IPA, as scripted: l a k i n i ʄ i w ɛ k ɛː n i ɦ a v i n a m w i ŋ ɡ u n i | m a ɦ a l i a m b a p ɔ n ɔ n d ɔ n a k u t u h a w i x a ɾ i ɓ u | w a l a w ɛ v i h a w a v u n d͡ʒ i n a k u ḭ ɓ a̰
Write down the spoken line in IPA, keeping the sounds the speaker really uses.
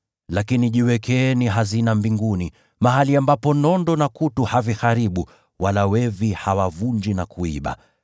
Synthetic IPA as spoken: l a k i n i ʄ i w ɛ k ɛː n i ɦ a z i n a m b i ŋ ɡ u n i | m a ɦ a l i a m b a p ɔ n ɔ n d ɔ n a k u t u h a v i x a ɾ i ɓ u | w a l a w ɛ v i h a w a v u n d͡ʒ i n a k u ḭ ɓ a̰

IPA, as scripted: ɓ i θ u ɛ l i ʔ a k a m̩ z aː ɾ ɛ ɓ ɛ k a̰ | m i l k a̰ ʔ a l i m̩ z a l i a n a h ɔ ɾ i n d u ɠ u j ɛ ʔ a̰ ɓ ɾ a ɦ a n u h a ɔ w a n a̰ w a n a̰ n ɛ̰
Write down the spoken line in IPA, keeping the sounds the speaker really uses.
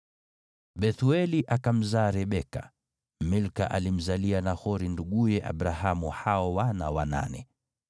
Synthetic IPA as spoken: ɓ ɛ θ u ɛ l i ʔ a k a m̩ z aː ɾ ɛ ɓ ɛ k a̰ | m i l k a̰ ʔ a l i m̩ z a l i a n a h ɔ ɾ i n d u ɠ u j ɛ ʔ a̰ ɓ ɾ a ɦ a m u h a ɔ w a n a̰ w a n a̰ n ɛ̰

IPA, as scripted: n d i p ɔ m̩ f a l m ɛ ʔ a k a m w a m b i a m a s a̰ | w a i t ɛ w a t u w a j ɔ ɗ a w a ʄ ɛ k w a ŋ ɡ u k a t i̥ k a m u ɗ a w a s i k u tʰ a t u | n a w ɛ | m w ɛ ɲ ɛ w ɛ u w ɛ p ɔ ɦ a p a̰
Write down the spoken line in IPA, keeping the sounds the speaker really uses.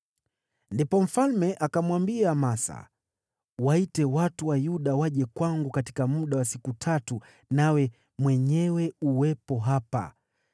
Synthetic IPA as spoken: n d i p ɔ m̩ f a l m ɛ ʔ a k a m w a m b i a m a s a̰ | w a i t ɛ w a t u w a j u ɗ a w a ʄ ɛ k w a ŋ ɡ u k a t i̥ k a m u ɗ a w a s i k u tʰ a t u | n a w ɛ | m w ɛ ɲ ɛ w ɛ u w ɛ p ɔ ɦ a p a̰

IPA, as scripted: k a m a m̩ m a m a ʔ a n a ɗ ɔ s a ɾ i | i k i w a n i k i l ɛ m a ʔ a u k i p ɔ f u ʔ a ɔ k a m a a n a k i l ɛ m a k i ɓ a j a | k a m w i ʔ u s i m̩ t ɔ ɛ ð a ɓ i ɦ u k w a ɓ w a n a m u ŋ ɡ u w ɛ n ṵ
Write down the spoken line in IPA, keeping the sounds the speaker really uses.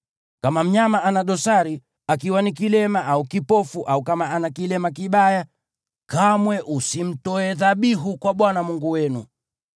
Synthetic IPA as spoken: k a m a m̩ ɲ a m a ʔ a n a ɗ ɔ s a ɾ i | a k i w a n i k i l ɛ m a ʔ a u k i p ɔ f u ʔ a u k a m a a n a k i l ɛ m a k i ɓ a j a | k a m w ɛ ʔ u s i m̩ t ɔ ɛ ð a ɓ i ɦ u k w a ɓ w a n a m u ŋ ɡ u w ɛ n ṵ

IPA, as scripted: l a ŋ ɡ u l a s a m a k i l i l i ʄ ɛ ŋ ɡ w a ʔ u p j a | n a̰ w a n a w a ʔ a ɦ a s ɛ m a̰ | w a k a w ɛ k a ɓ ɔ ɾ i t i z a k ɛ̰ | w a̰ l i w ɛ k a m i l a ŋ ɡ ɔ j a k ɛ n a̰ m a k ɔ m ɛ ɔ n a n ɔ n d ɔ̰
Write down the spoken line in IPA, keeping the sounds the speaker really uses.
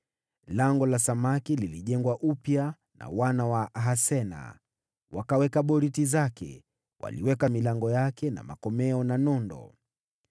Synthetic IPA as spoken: l a ŋ ɡ ɔ l a s a m a k i l i l i ʄ ɛ ŋ ɡ w a ʔ u p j a | n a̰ w a n a w a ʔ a ɦ a s ɛ n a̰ | w a k a w ɛ k a ɓ ɔ ɾ i t i z a k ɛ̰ | w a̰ l i w ɛ k a m i l a ŋ ɡ ɔ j a k ɛ n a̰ m a k ɔ m ɛ ɔ n a n ɔ n d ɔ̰

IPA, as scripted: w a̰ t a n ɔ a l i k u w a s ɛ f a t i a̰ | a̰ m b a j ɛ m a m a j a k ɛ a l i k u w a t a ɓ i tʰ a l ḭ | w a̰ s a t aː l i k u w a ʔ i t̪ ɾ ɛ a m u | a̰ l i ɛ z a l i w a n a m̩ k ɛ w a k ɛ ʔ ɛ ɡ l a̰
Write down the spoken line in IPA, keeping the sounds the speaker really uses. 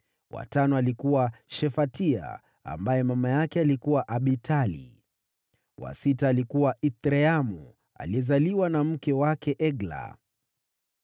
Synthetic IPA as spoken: w a̰ t a n ɔ a l i k u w a ʃ ɛ f a t i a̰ | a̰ m b a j ɛ m a m a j a k ɛ a l i k u w a ʔ a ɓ i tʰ a l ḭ | w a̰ s i t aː l i k u w a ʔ i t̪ ɾ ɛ a m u | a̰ l i ɛ z a l i w a n a m̩ k ɛ w a k ɛ ʔ ɛ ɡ l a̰

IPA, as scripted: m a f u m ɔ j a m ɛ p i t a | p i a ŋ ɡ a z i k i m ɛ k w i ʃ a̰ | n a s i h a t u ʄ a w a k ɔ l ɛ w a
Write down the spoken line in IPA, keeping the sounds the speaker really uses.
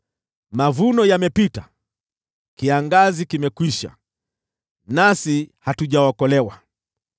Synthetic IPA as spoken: m a v u n ɔ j a m ɛ p i t a | k i a ŋ ɡ a z i k i m ɛ k w i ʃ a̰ | n a s i h a t u ʄ a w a k ɔ l ɛ w a

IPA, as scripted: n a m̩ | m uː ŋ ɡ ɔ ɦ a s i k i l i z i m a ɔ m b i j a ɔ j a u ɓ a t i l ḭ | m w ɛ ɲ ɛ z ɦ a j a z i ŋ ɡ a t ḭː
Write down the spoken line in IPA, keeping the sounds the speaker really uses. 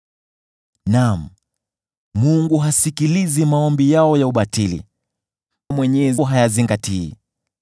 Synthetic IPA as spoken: n a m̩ | m u ŋ ɡ u ɦ a s i k i l i z i m a ɔ m b i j a ɔ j a u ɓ a t i l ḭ | m w ɛ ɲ ɛ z ɦ a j a z i ŋ ɡ a t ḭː

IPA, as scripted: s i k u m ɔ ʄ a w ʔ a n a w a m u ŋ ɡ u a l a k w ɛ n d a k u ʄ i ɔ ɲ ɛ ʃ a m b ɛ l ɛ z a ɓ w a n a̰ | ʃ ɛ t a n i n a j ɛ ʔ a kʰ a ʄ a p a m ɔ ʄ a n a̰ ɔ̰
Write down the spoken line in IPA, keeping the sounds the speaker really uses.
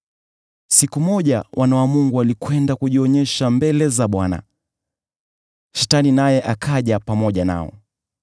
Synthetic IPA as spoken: s i k u m ɔ ʄ a w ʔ a n a w a m u ŋ ɡ u a l i k w ɛ n d a k u ʄ i ɔ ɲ ɛ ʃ a m b ɛ l ɛ z a ɓ w a n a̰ | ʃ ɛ t a n i n a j ɛ ʔ a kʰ a ʄ a p a m ɔ ʄ a n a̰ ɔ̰

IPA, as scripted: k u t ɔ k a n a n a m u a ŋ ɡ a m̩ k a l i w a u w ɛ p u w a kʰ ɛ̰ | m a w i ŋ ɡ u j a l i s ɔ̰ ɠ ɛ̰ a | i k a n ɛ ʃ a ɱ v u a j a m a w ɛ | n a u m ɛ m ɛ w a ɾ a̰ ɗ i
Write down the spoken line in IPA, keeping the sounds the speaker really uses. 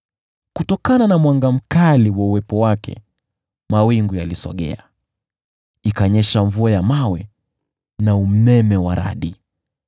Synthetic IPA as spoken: k u t ɔ k a n a n a m w a ŋ ɡ a m̩ k a l i w a u w ɛ p ɔ w a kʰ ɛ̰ | m a w i ŋ ɡ u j a l i s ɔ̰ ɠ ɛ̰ a | i k a ɲ ɛ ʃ a ɱ v u a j a m a w ɛ | n a u m ɛ m ɛ w a ɾ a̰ ɗ i

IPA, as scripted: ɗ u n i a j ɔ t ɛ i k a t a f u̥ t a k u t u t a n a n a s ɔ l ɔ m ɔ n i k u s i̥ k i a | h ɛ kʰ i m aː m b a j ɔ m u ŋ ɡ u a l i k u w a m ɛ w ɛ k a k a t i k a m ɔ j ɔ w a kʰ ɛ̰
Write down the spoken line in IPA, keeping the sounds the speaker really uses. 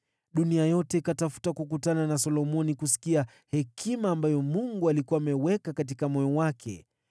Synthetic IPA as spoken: ɗ u n i a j ɔ t ɛ i k a t a f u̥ t a k u k u t a n a n a s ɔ l ɔ m ɔ n i k u s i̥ k i a | h ɛ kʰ i m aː m b a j ɔ m u ŋ ɡ u a l i k u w a m ɛ w ɛ k a k a t i k a m ɔ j ɔ w a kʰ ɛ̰

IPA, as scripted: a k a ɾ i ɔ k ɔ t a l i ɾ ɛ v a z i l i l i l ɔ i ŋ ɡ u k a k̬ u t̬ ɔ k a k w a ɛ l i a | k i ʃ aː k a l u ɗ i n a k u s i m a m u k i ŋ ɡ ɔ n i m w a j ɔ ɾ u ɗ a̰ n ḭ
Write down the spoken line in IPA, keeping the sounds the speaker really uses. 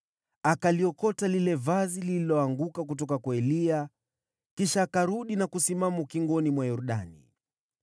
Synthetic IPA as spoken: a k a l i ɔ k ɔ t a l i l ɛ v a z i l i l i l ɔ a ŋ ɡ u k a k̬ u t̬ ɔ k a k w a ɛ l i a | k i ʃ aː k a ɾ u ɗ i n a k u s i m a m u k i ŋ ɡ ɔ n i m w a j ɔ ɾ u ɗ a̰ n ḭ

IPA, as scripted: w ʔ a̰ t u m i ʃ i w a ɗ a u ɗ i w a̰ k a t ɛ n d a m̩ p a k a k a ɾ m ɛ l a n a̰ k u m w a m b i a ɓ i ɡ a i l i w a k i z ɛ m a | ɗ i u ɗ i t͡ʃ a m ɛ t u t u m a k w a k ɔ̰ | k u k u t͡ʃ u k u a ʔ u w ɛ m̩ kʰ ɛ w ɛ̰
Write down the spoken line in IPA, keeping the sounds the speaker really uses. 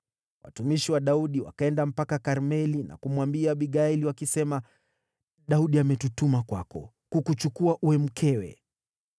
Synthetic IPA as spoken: w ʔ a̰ t u m i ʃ i w a ɗ a u ɗ i w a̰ k a ɛ n d a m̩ p a k a k a ɾ m ɛ l i n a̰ k u m w a m b i a ɓ i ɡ a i l i w a k i s ɛ m a | ɗ a u ɗ i a m ɛ t u t u m a k w a k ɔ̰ | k u k u t͡ʃ u k u a ʔ u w ɛ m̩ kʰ ɛ w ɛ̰

